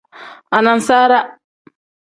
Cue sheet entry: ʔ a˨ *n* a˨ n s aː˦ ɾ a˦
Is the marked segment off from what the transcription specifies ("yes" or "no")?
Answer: no